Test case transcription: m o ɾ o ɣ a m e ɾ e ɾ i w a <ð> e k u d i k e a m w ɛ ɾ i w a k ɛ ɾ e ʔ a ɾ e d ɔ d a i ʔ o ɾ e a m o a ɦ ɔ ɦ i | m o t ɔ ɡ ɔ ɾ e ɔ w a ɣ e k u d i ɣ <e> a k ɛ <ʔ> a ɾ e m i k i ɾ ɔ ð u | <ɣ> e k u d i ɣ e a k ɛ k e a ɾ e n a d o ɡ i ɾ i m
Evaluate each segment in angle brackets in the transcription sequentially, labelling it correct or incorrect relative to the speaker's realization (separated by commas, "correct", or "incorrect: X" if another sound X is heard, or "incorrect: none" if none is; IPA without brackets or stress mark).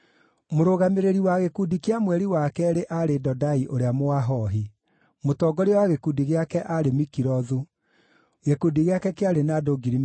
incorrect: ɣ, correct, correct, correct